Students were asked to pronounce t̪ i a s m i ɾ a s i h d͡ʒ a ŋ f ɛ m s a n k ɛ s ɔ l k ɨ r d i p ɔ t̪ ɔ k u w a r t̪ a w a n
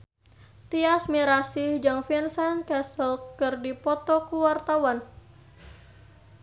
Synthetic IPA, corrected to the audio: t̪ i a s m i ɾ a s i h d͡ʒ a ŋ f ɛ n s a n k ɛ s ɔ l k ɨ r d i p ɔ t̪ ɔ k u w a r t̪ a w a n